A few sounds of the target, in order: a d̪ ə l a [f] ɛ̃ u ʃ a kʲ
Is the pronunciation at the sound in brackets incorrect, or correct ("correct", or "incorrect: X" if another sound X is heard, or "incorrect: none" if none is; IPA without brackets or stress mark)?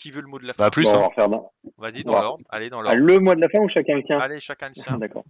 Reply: correct